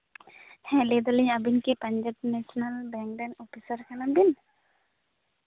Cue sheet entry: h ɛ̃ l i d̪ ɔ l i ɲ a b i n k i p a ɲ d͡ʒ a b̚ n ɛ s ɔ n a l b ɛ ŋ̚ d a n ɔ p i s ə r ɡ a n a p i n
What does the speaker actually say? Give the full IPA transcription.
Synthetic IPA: h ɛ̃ l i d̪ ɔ l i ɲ a b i n k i p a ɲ d͡ʒ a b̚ n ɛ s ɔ n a l b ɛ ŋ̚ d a n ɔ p i s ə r k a n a b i n